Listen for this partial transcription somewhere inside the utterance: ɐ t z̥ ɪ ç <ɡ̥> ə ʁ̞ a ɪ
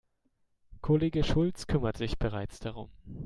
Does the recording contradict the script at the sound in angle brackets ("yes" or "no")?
yes